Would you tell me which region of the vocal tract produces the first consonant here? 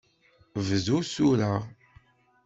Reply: lips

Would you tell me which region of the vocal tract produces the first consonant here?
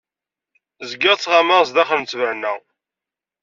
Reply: tongue tip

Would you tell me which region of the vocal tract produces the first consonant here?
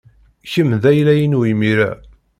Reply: palate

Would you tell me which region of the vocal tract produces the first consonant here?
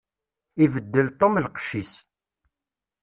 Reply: lips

